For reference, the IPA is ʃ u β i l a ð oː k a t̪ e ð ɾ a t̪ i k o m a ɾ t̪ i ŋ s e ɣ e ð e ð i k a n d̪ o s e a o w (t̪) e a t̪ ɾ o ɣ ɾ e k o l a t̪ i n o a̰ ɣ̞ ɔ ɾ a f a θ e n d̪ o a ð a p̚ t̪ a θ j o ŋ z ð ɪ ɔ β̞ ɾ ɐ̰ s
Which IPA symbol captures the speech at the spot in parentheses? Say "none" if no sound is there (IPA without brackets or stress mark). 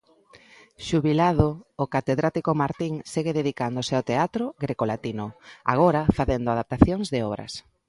t̪